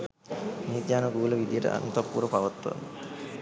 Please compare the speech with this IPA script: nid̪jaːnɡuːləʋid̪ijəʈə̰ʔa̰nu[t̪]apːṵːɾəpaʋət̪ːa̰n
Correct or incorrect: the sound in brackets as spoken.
correct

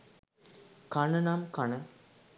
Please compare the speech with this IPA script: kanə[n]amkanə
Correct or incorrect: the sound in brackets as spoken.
correct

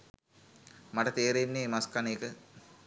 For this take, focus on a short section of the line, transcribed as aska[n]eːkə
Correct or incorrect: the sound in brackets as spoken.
correct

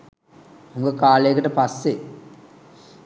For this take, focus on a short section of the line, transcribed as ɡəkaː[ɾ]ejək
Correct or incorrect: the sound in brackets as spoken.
incorrect: l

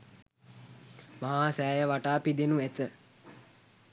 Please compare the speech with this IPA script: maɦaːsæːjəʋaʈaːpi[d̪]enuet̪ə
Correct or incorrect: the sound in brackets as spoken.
correct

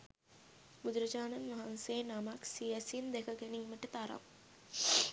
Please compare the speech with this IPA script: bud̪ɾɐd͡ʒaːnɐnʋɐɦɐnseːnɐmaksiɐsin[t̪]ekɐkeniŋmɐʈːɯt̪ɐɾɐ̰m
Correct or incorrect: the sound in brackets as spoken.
incorrect: d̪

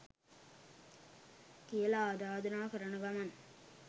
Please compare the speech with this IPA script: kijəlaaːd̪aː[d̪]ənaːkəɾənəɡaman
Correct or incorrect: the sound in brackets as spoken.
correct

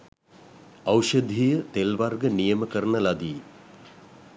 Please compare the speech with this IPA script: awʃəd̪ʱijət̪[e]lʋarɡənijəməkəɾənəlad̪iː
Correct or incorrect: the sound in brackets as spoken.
correct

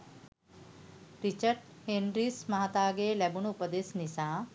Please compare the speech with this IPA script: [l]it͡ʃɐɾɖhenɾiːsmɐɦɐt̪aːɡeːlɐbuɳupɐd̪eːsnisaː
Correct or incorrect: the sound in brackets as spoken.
incorrect: ɾ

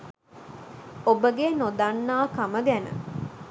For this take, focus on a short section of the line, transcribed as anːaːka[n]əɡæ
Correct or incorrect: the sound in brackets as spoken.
incorrect: m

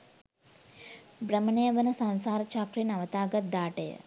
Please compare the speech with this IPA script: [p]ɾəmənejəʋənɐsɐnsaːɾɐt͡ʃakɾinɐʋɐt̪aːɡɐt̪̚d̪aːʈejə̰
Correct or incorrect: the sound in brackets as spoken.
incorrect: b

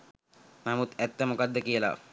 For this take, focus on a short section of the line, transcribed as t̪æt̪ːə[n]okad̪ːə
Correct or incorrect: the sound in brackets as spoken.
incorrect: m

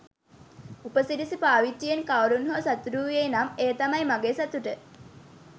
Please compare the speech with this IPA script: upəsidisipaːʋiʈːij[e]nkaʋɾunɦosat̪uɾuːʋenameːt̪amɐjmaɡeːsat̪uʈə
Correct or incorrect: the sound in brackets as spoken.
correct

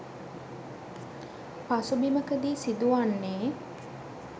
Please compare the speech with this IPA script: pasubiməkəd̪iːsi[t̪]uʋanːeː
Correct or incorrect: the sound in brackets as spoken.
incorrect: d̪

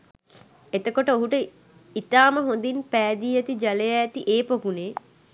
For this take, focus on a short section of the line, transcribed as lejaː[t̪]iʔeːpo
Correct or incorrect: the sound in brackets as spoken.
correct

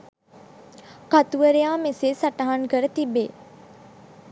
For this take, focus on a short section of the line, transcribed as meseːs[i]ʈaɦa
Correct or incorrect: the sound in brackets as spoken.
incorrect: a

